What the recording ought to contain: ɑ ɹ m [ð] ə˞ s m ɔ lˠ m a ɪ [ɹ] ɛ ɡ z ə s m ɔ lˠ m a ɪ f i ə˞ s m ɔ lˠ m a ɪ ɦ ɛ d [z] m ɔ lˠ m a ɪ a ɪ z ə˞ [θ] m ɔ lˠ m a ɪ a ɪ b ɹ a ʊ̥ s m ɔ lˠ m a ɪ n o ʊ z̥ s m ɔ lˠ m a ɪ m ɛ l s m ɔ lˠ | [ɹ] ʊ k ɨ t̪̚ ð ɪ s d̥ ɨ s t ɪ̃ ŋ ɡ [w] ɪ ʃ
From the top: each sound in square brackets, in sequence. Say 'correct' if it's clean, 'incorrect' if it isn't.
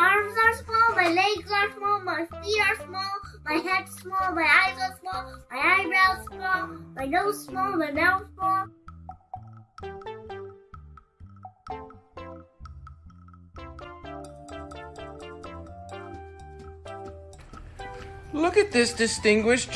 incorrect: z, incorrect: l, incorrect: s, incorrect: s, incorrect: l, correct

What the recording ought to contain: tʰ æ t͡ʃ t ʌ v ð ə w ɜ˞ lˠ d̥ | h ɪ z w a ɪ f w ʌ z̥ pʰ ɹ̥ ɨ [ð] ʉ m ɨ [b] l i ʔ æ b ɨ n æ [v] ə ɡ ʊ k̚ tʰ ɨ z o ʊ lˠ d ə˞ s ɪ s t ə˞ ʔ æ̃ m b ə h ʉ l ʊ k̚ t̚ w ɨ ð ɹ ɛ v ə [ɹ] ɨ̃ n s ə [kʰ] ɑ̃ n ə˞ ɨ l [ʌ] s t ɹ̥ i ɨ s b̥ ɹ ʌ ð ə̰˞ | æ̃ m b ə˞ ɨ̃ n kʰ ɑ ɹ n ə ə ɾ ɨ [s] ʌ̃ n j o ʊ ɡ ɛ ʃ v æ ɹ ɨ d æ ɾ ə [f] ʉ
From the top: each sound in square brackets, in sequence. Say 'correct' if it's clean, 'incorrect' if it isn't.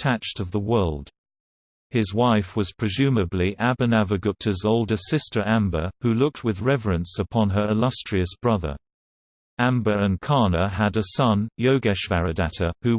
incorrect: z, correct, correct, correct, incorrect: pʰ, correct, correct, incorrect: h

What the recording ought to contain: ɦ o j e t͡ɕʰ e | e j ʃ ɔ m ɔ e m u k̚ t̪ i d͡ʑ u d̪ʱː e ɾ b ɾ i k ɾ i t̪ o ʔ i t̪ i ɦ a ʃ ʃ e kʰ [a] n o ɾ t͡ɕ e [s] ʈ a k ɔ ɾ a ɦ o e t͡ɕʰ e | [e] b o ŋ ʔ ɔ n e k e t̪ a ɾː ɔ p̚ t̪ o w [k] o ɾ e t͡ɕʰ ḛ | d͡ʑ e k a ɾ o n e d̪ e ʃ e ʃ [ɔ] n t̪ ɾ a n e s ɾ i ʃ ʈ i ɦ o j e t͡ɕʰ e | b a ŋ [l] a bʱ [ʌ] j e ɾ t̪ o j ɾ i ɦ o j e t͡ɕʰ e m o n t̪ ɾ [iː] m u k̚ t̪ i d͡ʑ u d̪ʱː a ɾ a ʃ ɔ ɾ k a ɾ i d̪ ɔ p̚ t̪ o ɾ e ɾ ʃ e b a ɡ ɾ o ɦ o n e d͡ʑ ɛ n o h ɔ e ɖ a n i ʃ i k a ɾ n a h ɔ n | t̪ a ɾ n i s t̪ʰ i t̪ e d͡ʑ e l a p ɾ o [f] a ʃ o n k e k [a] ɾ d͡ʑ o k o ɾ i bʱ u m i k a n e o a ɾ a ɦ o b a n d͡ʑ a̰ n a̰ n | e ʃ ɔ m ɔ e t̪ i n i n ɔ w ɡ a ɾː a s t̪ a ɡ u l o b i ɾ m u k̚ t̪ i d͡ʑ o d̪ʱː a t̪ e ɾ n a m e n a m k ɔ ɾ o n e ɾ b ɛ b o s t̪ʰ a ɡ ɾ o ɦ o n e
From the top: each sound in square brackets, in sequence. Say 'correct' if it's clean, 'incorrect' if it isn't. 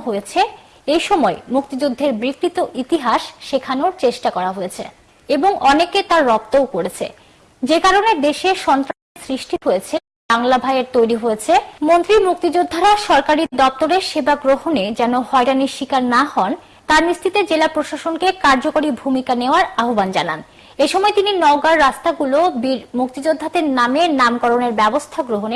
correct, incorrect: ʃ, correct, correct, correct, correct, incorrect: a, incorrect: i, incorrect: ʃ, correct

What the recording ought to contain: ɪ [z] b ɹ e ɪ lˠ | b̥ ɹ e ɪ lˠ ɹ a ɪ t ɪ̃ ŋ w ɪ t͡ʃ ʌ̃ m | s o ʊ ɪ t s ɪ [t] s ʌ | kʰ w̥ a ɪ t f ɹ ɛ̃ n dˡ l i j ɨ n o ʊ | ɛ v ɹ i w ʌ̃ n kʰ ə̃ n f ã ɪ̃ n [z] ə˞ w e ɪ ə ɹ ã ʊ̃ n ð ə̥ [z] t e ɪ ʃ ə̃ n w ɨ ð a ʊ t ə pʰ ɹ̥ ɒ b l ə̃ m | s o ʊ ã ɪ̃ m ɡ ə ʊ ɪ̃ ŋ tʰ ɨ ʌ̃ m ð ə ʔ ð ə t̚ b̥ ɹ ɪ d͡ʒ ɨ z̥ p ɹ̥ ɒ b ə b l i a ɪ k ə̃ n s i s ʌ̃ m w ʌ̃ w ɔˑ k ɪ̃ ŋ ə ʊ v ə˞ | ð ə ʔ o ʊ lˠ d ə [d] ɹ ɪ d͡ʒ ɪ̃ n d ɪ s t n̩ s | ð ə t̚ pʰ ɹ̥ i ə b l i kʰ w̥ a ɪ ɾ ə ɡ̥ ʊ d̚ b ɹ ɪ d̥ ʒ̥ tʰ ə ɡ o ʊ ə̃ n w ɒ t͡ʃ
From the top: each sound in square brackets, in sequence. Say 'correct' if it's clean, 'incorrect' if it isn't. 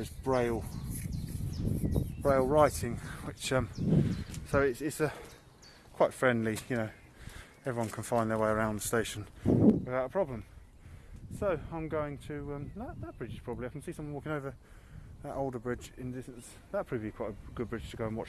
correct, correct, incorrect: ð, incorrect: s, incorrect: b

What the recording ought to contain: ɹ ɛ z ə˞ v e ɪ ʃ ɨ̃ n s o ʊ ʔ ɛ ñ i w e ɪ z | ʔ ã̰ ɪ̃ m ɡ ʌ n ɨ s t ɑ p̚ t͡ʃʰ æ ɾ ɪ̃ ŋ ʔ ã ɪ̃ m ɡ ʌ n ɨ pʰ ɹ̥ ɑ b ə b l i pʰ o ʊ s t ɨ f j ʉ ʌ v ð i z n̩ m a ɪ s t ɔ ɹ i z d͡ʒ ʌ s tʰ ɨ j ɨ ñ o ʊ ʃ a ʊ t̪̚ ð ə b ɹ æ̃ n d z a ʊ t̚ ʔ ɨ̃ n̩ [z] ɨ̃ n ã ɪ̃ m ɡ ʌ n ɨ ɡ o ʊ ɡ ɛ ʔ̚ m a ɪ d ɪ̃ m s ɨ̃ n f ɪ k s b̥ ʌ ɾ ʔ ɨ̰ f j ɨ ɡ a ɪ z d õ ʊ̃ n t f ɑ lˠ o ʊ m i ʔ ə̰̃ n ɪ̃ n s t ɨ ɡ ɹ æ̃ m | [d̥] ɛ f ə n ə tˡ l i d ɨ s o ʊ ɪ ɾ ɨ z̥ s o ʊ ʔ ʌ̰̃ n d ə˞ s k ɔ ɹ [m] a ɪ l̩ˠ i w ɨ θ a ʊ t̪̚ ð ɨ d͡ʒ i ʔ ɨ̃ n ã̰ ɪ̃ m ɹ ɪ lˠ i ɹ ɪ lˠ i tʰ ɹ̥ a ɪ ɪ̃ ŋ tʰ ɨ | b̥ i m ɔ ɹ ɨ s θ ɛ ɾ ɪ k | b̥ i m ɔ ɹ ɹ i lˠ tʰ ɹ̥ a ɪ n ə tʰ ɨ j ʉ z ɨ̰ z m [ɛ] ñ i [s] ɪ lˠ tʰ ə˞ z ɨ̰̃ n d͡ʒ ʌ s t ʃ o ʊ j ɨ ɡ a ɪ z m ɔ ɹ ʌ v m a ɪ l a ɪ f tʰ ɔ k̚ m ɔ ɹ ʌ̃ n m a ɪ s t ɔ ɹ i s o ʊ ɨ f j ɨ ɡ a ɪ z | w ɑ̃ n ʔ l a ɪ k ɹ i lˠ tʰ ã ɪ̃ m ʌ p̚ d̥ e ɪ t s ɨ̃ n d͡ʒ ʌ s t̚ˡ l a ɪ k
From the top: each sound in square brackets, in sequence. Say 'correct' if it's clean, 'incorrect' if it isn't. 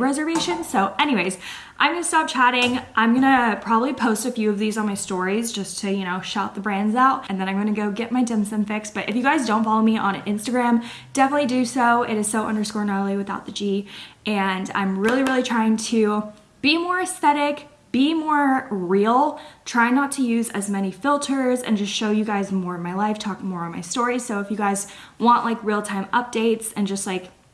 incorrect: ð, correct, incorrect: n, correct, incorrect: f

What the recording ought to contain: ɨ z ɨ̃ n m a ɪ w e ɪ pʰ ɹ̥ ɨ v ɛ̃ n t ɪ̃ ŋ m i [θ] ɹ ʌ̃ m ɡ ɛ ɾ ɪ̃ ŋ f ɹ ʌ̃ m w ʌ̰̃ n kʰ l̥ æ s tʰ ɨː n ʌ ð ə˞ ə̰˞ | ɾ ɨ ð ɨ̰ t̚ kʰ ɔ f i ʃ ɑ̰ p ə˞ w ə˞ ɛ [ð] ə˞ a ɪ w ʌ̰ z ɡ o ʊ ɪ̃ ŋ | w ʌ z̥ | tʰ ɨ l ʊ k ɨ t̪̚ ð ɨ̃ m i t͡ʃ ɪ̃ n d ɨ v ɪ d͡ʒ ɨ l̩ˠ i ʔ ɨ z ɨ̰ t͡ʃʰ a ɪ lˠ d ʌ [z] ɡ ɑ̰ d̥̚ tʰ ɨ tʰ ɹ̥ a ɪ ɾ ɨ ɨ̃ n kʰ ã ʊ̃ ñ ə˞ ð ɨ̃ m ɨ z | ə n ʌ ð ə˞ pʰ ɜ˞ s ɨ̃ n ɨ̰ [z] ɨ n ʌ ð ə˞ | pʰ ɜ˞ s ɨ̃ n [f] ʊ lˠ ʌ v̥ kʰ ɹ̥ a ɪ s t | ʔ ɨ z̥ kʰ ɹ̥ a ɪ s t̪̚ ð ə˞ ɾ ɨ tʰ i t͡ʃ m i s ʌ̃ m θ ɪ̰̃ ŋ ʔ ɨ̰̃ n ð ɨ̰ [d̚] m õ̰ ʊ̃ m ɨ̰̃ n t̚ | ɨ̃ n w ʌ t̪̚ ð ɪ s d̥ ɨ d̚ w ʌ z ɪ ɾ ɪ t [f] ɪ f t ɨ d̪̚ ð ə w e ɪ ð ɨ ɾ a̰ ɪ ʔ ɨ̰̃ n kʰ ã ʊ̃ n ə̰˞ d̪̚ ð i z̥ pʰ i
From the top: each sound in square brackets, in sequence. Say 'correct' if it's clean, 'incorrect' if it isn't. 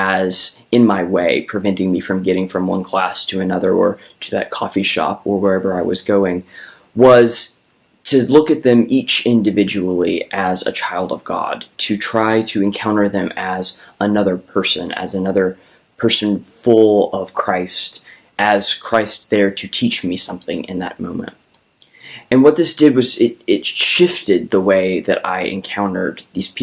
incorrect: f, incorrect: v, incorrect: v, correct, correct, incorrect: t̚, incorrect: ʃ

